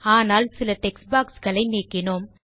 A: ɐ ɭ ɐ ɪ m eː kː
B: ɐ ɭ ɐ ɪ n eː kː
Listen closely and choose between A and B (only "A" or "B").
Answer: B